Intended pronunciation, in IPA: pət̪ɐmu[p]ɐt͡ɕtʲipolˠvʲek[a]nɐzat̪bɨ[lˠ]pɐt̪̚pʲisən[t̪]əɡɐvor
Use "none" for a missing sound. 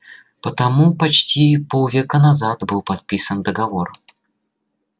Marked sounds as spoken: p, ə, lˠ, d̪

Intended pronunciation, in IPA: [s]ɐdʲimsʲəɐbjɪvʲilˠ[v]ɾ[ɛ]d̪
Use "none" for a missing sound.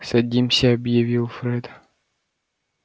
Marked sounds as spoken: s, f, ɛ

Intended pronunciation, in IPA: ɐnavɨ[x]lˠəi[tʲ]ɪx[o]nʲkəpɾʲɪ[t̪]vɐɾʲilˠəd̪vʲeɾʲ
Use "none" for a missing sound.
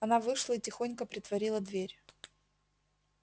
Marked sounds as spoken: ʂ, tʲ, o, t̪

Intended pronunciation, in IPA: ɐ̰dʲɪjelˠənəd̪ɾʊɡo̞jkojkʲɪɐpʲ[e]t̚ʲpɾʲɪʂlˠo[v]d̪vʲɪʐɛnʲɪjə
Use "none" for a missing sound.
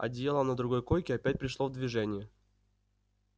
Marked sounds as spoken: æ, v

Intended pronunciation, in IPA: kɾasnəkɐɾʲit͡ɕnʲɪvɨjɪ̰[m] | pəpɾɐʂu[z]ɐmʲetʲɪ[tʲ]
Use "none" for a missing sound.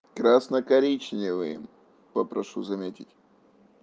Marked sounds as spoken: m, z, tʲ

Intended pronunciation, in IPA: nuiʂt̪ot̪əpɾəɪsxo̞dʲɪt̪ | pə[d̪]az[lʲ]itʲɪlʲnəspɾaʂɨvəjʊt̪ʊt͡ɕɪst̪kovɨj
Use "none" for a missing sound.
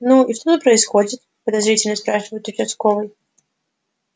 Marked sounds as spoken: d̪, ɾʲ

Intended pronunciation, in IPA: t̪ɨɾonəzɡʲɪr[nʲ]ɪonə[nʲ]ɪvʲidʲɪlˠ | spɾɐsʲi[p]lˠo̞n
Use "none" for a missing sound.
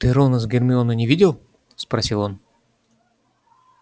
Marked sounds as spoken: mʲ, nʲ, none

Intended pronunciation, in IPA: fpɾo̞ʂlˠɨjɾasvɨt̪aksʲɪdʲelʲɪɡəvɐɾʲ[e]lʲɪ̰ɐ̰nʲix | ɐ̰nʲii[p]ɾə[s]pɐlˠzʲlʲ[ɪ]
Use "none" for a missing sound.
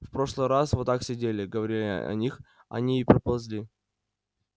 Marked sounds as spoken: i, p, none, i

